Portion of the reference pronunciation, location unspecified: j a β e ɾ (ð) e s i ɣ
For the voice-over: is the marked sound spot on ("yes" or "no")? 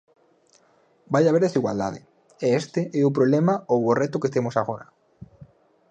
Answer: yes